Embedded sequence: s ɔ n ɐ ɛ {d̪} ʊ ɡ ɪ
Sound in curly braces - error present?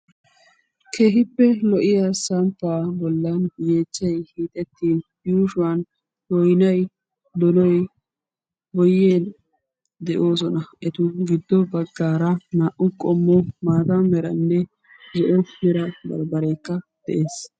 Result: yes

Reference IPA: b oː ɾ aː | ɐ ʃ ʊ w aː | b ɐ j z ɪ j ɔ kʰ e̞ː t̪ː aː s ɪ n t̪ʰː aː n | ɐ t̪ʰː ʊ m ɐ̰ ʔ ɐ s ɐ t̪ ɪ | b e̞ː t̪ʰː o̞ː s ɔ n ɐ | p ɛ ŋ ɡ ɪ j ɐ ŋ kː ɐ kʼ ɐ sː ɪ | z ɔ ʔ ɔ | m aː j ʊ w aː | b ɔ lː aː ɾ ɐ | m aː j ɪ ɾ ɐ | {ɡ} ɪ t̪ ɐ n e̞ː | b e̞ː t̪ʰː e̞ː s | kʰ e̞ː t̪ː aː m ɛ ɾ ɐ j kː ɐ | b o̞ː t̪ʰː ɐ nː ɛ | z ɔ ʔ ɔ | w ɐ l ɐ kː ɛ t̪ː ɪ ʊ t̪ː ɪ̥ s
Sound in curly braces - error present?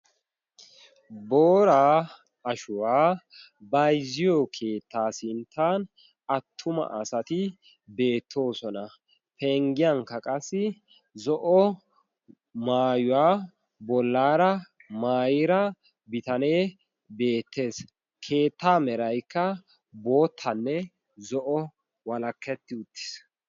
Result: yes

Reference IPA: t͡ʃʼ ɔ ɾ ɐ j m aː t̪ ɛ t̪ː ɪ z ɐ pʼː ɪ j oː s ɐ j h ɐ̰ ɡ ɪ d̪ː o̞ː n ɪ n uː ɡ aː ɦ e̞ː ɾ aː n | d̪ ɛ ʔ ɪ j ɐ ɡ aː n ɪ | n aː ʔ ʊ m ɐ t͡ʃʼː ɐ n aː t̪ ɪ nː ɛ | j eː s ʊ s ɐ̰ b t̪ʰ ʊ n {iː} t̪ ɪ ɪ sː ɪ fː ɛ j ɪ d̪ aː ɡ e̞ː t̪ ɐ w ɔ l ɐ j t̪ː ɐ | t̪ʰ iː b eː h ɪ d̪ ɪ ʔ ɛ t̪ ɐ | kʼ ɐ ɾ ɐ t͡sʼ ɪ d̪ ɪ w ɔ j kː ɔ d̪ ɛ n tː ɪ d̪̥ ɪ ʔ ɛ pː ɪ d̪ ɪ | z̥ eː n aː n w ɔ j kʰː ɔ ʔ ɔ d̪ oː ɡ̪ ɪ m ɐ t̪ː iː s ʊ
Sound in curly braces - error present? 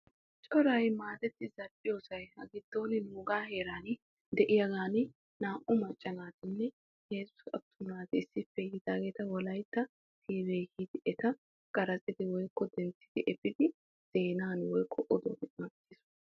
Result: yes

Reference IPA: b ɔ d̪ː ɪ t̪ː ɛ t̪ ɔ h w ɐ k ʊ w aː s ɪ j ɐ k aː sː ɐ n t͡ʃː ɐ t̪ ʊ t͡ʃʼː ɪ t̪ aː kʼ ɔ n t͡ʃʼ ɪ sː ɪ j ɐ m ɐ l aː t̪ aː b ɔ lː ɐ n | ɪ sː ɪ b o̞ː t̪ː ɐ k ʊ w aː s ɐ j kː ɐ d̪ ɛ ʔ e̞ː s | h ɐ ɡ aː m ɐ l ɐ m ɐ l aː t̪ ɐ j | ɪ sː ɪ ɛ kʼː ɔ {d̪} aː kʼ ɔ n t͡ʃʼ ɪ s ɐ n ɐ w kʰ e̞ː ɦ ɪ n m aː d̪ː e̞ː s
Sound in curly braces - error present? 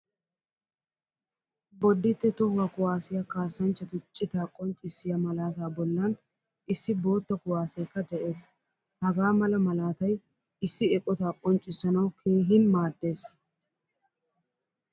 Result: yes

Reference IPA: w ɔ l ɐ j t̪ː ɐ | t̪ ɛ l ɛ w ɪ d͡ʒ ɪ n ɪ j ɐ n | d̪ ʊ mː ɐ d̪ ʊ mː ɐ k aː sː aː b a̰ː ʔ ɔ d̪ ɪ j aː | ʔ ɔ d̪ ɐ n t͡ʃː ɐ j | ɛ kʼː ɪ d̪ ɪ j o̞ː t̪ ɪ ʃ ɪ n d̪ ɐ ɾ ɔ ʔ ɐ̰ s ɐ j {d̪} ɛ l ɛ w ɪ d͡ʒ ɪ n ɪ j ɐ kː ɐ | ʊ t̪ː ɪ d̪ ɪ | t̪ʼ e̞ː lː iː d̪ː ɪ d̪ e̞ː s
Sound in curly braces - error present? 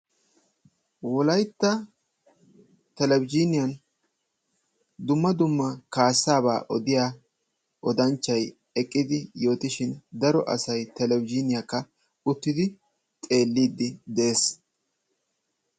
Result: yes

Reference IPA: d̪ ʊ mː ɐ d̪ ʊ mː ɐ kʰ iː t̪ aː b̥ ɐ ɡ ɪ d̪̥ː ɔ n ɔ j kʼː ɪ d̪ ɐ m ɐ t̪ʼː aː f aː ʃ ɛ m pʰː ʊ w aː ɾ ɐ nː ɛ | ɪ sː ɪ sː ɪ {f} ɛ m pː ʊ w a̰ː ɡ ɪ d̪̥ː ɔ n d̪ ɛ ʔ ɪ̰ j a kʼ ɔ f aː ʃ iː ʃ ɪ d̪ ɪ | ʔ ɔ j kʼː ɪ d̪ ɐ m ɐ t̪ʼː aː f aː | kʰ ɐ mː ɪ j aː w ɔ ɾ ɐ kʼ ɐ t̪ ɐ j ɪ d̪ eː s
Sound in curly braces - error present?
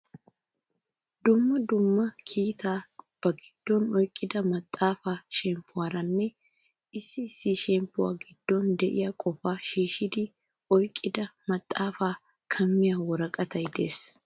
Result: yes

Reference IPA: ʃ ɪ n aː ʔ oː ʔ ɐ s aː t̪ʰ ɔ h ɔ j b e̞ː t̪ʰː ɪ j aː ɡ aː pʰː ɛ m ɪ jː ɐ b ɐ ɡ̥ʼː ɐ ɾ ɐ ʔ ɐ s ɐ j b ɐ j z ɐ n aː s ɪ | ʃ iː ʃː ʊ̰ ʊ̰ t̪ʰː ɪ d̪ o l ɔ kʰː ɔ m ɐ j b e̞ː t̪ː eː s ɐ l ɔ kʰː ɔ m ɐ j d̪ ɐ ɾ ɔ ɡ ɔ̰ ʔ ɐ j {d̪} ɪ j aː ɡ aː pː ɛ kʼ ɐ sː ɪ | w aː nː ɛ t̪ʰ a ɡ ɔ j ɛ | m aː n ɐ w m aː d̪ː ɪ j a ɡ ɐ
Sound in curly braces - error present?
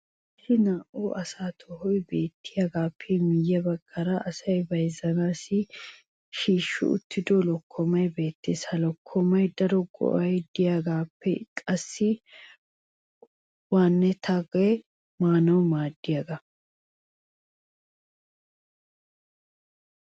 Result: no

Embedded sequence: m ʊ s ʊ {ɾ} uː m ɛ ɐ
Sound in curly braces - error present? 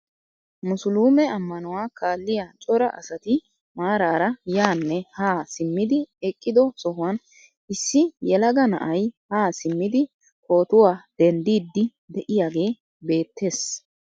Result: yes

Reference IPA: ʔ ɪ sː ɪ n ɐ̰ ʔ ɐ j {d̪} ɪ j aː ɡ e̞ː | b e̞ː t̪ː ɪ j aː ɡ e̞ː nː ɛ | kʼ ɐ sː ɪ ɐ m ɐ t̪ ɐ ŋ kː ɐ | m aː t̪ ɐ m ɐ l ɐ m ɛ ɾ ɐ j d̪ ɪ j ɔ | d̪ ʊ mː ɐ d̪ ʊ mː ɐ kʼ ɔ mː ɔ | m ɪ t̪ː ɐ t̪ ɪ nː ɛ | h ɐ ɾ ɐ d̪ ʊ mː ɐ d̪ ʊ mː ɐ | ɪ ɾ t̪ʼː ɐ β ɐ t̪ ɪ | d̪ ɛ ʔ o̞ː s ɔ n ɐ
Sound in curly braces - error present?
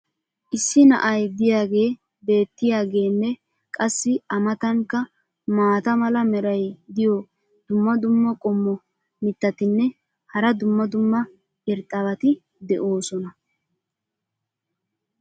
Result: no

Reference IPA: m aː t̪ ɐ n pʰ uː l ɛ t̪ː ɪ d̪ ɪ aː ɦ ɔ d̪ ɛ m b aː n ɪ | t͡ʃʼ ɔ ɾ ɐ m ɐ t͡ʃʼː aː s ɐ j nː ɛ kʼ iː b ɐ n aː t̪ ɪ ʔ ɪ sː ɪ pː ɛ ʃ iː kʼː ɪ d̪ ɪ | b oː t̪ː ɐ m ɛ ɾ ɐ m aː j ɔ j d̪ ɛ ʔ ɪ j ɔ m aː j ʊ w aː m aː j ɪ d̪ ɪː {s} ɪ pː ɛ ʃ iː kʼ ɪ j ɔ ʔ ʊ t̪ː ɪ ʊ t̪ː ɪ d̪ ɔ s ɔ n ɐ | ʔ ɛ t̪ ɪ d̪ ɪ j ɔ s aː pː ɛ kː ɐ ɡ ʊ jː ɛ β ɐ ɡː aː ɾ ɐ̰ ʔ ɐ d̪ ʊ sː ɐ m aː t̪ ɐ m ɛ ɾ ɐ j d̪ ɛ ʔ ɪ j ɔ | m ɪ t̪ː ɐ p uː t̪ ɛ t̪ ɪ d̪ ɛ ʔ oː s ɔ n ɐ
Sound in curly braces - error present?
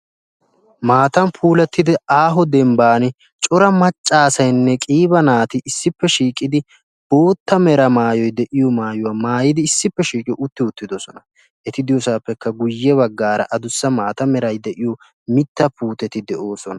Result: yes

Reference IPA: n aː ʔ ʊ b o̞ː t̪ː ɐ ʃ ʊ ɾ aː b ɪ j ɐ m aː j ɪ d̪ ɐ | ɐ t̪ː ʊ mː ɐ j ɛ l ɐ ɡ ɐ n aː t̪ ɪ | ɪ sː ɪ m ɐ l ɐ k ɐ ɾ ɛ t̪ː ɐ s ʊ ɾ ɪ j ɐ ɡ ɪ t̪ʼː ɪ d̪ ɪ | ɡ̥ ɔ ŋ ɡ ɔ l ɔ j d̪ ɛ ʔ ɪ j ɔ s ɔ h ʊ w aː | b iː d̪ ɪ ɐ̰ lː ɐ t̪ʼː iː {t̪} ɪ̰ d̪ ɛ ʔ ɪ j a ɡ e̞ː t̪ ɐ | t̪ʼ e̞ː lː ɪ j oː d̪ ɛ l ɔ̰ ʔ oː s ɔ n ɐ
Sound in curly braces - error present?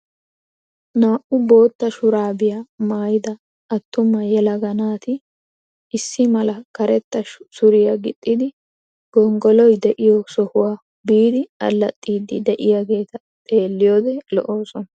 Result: yes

